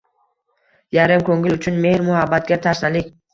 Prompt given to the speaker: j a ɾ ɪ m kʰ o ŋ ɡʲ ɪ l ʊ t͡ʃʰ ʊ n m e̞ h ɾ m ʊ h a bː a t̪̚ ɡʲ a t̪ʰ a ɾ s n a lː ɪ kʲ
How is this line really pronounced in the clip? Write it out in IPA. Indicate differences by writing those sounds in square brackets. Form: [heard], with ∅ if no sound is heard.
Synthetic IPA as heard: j a ɾ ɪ m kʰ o ŋ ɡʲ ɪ l ʊ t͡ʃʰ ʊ n m e̞ h ɾ m ʊ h a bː a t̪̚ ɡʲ a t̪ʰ a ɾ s n a [l] ɪ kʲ

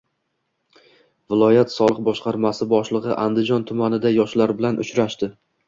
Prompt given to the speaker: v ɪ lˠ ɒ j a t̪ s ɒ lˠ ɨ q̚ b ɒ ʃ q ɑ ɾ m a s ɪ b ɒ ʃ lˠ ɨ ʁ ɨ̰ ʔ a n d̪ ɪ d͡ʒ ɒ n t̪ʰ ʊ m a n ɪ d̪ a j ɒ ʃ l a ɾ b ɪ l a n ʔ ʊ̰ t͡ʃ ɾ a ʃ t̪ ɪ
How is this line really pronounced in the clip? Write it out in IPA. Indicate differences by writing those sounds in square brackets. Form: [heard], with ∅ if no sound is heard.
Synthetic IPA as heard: v ɪ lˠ ɒ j a t̪ s ɒ lˠ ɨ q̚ b ɒ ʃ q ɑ ɾ m a s ɪ b ɒ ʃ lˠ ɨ ʁ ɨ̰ ʔ a n d̪ ɪ d͡ʒ ɒ n t̪ʰ ʊ m a n ɪ d̪ a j ɒ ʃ l a ɾ b ɪ l a n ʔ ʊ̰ t͡ʃ ɾ a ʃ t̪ ɪ

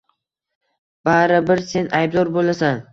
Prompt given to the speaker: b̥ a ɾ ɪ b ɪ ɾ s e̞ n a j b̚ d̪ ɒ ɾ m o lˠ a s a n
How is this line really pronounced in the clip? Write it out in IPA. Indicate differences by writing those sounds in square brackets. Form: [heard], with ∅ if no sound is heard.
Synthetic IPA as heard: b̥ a ɾ ɪ b ɪ ɾ s e̞ n a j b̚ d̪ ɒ ɾ [b] o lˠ a s a n

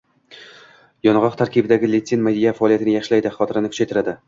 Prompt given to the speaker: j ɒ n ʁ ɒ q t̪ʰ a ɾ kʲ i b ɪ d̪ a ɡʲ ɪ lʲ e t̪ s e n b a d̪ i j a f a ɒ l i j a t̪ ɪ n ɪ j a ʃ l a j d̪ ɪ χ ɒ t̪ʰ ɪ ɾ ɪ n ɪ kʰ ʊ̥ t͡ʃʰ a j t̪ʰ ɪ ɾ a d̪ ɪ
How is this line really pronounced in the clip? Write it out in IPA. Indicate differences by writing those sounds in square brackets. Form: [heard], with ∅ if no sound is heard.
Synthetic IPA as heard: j ɒ n ʁ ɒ q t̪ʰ a ɾ kʲ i b ɪ d̪ a ɡʲ ɪ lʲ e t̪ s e n [m] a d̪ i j a f a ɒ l i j a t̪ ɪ n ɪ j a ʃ l a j d̪ ɪ χ ɒ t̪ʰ ɪ ɾ ɪ n ɪ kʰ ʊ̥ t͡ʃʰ a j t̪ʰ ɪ ɾ a d̪ ɪ

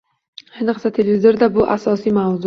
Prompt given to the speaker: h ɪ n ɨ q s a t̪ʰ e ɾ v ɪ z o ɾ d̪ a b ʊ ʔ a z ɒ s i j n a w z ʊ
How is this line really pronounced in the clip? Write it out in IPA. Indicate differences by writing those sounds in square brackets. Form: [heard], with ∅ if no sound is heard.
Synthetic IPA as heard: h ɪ n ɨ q s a t̪ʰ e [l] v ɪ z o ɾ d̪ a b ʊ ʔ a [s] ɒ s i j [m] a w z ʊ

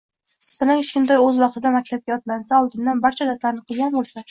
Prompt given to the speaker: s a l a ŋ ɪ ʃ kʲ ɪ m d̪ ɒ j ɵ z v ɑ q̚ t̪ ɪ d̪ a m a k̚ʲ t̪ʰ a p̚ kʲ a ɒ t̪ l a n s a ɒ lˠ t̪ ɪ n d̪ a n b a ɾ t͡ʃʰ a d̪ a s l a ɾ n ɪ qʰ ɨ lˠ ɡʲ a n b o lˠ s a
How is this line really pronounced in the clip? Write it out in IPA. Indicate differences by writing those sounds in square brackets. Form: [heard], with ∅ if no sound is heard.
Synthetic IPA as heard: s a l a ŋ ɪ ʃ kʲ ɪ [n] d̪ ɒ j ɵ z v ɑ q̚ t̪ ɪ d̪ a m a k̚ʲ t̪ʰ a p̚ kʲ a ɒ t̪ l a n s a ɒ lˠ [d̪] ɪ n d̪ a n b a ɾ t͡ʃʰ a d̪ a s l a ɾ n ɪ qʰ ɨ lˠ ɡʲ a n b o lˠ s a

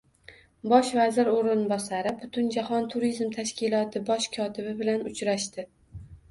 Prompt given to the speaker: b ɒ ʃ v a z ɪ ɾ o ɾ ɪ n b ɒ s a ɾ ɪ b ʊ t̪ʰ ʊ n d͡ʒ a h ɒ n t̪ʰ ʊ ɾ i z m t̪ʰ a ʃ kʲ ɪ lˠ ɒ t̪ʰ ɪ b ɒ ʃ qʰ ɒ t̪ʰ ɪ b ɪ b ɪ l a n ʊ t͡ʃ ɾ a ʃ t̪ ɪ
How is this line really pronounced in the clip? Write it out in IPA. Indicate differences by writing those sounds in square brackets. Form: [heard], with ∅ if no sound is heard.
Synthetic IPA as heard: b ɒ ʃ v a z ɪ ɾ o ɾ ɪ n b ɒ s a ɾ ɪ b ʊ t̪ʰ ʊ n d͡ʒ a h ɒ n t̪ʰ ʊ ɾ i z m t̪ʰ a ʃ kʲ ɪ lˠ ɒ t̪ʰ ɪ b ɒ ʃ [kʰ] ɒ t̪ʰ ɪ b ɪ b ɪ l a n ʊ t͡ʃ ɾ a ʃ t̪ ɪ

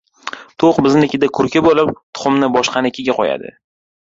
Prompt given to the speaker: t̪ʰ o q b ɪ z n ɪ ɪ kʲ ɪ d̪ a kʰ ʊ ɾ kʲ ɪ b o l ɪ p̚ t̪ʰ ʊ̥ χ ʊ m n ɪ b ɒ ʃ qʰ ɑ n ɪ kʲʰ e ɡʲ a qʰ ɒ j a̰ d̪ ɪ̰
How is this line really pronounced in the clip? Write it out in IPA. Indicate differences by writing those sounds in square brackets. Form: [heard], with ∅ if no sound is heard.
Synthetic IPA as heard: t̪ʰ o q b ɪ z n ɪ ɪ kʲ ɪ d̪ a kʰ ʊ ɾ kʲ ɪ b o l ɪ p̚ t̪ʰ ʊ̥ χ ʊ m n ɪ b ɒ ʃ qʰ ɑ n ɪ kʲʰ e ɡʲ a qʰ ɒ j a̰ d̪ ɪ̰

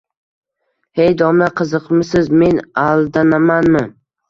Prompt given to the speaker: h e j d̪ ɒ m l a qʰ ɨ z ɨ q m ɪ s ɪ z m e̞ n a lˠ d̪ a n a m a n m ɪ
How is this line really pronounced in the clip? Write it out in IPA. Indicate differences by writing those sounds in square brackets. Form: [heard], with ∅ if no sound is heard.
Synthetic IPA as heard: h e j d̪ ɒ m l a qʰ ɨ z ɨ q m ɪ s ɪ z m e̞ n a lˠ d̪ a n a m a n m ɪ

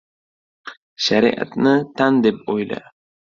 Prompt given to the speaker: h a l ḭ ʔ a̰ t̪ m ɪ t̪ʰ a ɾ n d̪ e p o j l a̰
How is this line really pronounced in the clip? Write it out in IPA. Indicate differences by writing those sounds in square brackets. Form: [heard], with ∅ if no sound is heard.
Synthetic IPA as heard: [ʃ] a [ɾ] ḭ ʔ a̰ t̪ [n] ɪ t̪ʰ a [∅] n d̪ e p o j l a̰

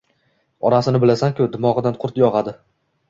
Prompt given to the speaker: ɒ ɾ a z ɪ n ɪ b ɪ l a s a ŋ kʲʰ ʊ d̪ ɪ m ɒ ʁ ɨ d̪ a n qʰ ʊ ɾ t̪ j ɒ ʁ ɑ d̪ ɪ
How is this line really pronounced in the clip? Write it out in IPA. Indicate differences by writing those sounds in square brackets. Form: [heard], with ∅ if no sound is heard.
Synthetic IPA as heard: ɒ ɾ a [s] ɪ n ɪ b ɪ l a s a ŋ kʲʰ ʊ d̪ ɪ m ɒ ʁ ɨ d̪ a n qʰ ʊ ɾ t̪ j ɒ ʁ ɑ d̪ ɪ

